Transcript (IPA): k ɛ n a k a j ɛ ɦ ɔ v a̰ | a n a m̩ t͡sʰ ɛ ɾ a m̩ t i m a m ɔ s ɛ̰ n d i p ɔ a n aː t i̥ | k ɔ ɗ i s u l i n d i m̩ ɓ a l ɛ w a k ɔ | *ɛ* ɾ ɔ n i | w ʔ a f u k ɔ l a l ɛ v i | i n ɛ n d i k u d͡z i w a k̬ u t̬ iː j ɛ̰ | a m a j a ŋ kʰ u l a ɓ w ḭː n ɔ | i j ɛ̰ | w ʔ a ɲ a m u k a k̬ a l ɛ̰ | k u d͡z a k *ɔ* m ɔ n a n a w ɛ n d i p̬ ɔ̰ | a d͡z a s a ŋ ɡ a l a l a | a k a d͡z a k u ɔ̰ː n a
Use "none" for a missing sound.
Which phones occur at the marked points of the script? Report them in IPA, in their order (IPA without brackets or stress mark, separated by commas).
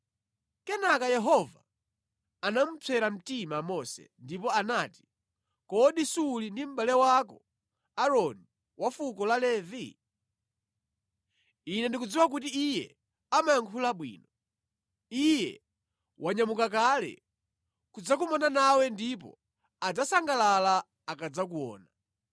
a, u